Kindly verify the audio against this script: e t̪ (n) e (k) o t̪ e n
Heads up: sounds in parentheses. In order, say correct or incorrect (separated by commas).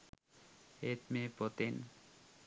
incorrect, incorrect